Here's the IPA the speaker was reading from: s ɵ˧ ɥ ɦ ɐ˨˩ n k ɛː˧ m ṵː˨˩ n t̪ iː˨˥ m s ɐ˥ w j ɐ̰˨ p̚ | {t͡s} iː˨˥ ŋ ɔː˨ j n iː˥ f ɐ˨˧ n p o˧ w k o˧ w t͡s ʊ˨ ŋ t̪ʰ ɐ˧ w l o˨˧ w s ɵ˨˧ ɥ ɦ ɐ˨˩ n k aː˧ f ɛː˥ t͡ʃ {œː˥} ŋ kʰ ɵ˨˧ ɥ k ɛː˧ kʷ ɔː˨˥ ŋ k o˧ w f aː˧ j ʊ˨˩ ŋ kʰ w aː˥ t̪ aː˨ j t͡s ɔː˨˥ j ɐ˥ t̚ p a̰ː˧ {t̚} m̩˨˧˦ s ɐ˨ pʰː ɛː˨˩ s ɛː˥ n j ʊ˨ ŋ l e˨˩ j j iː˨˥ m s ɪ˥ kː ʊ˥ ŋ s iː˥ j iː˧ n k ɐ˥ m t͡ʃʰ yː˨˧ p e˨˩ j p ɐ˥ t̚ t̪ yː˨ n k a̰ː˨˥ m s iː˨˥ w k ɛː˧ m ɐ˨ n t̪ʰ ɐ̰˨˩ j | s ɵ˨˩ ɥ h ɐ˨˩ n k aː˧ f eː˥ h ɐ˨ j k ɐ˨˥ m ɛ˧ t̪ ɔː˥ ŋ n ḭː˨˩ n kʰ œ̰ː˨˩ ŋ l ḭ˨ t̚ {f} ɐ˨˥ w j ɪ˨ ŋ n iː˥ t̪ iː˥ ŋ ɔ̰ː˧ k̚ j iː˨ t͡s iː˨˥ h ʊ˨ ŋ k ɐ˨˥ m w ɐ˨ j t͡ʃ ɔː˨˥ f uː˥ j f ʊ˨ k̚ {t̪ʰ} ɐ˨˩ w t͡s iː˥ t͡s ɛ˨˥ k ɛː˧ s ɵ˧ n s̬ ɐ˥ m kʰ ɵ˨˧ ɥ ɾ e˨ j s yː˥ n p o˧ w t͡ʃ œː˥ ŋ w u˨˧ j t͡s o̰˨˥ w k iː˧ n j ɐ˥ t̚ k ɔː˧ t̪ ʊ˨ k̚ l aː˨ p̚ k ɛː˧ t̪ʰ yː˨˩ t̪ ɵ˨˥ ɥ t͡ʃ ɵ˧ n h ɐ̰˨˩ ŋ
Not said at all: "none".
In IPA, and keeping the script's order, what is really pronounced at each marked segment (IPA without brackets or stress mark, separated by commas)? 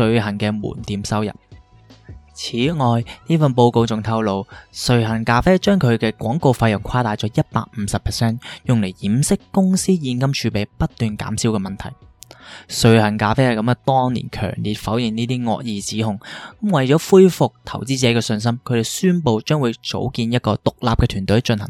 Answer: t͡sʰ, œː˥, k̚, f, t̪ʰ